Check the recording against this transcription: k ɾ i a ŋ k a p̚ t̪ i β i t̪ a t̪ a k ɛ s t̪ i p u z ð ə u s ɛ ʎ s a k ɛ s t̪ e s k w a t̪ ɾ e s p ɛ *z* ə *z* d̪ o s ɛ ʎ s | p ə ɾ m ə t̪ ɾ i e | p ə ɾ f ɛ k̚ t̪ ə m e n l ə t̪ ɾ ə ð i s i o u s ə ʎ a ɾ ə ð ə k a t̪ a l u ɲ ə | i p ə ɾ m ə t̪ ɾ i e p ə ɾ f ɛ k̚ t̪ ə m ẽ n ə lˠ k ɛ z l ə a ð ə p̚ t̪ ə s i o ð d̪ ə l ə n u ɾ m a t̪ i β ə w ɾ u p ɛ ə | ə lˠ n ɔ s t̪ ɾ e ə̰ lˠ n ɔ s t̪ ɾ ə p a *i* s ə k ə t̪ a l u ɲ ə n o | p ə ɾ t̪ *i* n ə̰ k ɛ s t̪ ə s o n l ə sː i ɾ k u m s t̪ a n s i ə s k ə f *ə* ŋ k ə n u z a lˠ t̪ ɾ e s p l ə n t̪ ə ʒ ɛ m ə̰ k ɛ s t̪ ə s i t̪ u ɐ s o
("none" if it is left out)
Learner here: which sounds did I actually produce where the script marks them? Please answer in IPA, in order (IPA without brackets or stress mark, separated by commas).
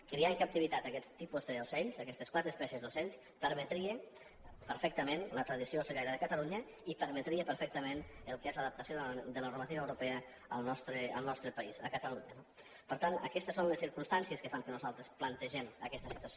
s, z, i, a, a